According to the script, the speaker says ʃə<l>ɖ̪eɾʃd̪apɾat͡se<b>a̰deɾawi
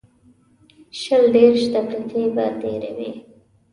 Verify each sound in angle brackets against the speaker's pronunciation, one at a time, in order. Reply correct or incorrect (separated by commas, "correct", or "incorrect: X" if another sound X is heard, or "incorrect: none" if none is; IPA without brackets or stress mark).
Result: correct, correct